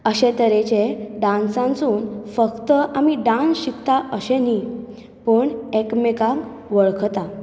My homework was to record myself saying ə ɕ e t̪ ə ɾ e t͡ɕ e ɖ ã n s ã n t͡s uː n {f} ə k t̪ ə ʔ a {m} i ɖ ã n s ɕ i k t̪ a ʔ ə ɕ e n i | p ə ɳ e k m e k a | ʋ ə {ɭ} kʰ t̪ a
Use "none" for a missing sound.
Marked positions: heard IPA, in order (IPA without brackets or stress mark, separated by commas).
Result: f, m, ɭ